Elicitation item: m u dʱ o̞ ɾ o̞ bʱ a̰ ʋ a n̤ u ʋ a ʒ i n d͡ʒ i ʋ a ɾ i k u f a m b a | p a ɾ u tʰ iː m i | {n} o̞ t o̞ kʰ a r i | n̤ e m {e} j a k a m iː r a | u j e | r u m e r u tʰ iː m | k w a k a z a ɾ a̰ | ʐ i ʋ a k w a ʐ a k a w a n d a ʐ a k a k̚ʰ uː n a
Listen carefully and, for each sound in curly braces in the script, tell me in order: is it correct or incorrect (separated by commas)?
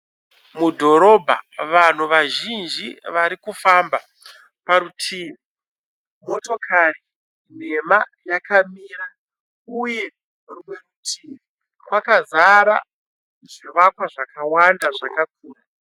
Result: incorrect, incorrect